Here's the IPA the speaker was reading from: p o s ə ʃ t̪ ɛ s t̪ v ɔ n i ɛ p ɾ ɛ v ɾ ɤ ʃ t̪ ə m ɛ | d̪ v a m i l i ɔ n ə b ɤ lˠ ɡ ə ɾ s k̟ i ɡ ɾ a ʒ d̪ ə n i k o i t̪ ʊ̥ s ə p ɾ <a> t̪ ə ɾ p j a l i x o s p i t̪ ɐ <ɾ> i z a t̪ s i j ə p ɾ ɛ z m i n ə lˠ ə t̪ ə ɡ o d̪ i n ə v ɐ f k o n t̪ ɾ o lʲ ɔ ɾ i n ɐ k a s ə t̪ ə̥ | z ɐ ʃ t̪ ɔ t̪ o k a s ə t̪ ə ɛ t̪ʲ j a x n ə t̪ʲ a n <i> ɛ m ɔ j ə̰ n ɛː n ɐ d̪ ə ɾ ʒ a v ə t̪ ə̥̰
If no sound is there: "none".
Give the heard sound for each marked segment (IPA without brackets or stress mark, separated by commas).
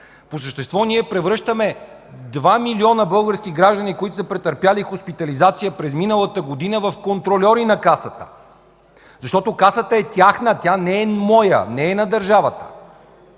ɛ, l, ɛ